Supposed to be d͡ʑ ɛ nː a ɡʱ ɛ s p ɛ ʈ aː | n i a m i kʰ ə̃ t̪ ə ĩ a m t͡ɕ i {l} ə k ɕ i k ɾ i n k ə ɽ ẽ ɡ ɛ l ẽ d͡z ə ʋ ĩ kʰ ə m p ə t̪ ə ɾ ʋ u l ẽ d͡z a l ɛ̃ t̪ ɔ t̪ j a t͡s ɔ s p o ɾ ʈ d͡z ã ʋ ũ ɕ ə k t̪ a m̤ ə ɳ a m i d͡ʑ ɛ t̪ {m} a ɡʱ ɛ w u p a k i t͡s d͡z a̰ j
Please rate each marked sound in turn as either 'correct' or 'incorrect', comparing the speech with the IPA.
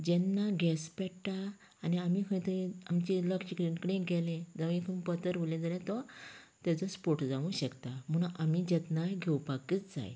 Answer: correct, incorrect: n

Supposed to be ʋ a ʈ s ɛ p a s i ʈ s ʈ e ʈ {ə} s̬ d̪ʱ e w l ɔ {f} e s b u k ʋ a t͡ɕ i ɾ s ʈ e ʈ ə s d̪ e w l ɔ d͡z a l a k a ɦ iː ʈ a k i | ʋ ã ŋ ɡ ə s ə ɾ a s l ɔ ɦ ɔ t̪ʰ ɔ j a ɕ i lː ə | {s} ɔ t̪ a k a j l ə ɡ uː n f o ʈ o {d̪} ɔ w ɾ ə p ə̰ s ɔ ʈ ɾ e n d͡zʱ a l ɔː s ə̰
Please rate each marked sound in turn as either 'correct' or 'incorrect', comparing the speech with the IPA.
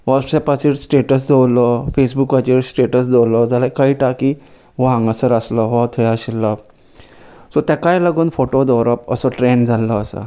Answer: correct, correct, correct, correct

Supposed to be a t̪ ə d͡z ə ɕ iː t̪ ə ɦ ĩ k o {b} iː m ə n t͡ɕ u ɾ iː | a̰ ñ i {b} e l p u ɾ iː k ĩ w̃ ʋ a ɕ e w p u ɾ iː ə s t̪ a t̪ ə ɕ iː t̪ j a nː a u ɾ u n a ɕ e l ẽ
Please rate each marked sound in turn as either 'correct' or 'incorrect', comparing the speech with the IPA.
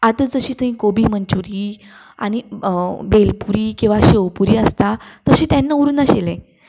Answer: correct, correct

